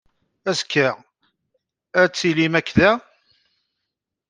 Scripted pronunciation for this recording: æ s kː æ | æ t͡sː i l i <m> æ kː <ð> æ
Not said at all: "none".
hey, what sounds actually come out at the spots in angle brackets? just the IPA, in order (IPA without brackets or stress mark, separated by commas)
m, ð